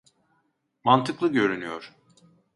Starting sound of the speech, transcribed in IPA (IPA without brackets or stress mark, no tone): m